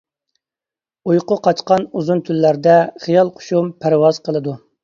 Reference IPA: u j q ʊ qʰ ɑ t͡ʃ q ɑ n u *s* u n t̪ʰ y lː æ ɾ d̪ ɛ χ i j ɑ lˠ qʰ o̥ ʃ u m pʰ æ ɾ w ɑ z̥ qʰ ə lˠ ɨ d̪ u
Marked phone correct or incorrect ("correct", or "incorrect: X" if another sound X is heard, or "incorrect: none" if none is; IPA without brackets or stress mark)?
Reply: incorrect: z